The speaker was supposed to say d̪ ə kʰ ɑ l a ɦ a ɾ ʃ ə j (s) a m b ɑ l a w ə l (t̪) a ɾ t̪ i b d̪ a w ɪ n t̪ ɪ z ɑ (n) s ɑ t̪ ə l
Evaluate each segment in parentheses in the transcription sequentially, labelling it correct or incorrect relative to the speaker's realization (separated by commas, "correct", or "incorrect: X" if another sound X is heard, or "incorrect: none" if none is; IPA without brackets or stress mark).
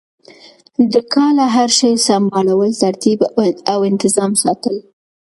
correct, correct, incorrect: m